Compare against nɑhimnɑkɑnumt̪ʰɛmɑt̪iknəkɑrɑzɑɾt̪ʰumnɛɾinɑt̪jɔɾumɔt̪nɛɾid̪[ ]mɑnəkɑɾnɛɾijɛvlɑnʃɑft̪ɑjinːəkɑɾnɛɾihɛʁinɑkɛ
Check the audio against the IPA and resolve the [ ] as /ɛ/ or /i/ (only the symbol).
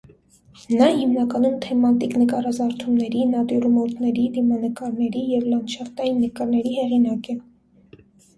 i